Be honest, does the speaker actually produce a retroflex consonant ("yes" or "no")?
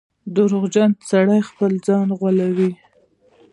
yes